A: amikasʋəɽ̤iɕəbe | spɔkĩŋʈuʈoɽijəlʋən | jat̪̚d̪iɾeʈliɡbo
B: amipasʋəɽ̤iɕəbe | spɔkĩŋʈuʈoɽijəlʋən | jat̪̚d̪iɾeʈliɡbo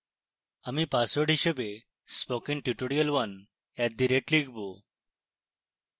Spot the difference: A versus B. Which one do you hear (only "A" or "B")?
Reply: B